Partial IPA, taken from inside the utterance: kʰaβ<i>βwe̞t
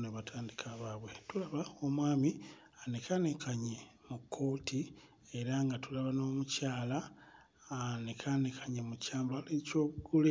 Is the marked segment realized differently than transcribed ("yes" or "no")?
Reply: yes